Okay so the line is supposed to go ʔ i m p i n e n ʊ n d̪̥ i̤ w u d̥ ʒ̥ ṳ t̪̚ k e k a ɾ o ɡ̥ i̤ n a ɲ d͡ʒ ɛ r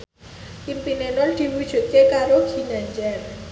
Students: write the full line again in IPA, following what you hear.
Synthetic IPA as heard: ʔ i m p i n e n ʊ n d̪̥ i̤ w u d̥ ʒ̥ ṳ t̪̚ k e k a ɾ o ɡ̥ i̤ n a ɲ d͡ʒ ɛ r